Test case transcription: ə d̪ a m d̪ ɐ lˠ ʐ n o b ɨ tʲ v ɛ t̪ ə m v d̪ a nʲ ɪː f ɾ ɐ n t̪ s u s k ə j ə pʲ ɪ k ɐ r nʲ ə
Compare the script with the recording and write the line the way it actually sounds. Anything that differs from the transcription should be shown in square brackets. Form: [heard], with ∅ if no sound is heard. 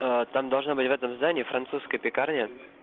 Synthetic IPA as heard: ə [t̪] a m d̪ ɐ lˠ ʐ n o b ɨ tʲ v ɛ t̪ ə m [z] d̪ a nʲ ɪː f ɾ ɐ n t̪ s u s k ə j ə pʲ ɪ k [a] r nʲ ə

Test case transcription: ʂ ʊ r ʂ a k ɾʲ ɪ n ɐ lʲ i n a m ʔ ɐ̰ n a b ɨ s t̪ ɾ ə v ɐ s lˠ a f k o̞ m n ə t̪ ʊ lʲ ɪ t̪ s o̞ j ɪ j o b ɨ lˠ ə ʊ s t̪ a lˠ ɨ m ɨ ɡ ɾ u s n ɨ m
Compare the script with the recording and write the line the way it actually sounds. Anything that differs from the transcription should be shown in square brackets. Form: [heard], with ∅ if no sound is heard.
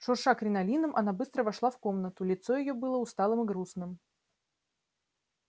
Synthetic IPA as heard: ʂ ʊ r ʂ a k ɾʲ ɪ n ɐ lʲ i n [ə] m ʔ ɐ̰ n a b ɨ s t̪ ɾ ə v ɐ [ʂ] lˠ a f k o̞ m n ə t̪ ʊ lʲ ɪ t̪ s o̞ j ɪ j o b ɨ lˠ ə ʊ s t̪ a lˠ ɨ m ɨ ɡ ɾ u s n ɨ m

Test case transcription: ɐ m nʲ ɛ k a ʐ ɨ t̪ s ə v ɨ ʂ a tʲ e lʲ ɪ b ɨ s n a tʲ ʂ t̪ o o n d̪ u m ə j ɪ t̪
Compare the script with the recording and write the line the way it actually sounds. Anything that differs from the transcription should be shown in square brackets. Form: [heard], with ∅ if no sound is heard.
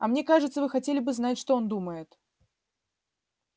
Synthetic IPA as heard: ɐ m nʲ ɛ k a ʐ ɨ t̪ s ə v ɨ [x] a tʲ e lʲ ɪ b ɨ [z] n a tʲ ʂ t̪ o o n d̪ u m ə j ɪ t̪

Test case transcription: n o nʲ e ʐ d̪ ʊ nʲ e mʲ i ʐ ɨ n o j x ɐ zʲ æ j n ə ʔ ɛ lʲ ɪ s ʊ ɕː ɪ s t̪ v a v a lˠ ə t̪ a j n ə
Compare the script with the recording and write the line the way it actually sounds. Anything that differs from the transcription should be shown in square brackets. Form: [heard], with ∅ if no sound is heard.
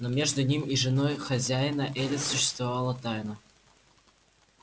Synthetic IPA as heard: n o [mʲ] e ʐ d̪ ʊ nʲ [i] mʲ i ʐ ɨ n o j x ɐ zʲ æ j n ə ʔ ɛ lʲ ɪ s ʊ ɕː ɪ s t̪ v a v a lˠ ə t̪ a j n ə

